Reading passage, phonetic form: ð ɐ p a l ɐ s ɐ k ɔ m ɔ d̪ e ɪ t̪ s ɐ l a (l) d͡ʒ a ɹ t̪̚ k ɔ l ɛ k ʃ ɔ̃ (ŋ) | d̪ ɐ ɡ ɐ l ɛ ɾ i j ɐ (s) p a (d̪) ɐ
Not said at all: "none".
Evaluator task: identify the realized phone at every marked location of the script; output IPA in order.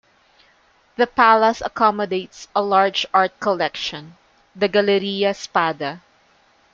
ɹ, n, s, d̪

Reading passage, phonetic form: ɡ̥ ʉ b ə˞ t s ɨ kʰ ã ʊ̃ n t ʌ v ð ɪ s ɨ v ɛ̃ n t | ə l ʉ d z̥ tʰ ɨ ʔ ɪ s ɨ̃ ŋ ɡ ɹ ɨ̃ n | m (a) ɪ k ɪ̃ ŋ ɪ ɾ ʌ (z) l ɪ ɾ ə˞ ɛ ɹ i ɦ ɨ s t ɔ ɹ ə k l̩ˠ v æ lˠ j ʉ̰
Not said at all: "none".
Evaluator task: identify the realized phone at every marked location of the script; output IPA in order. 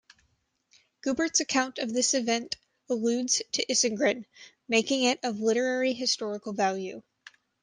e, v

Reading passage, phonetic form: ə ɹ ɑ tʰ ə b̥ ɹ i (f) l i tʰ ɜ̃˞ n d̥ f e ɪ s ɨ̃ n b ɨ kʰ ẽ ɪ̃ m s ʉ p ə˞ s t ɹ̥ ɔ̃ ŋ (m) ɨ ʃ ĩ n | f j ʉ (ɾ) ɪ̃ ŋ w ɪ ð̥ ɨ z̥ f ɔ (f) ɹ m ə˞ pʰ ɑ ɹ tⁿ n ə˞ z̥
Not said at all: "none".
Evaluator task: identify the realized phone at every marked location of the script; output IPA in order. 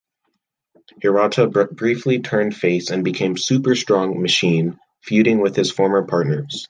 f, m, ɾ, none

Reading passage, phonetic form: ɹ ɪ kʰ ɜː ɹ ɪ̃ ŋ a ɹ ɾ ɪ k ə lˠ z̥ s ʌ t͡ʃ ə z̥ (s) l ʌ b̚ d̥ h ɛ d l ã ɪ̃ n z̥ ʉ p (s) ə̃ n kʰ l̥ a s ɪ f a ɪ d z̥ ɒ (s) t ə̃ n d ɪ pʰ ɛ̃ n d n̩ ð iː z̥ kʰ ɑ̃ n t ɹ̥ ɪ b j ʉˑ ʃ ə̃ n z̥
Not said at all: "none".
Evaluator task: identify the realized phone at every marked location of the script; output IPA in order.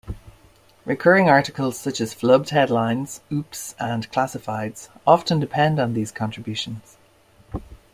f, s, f

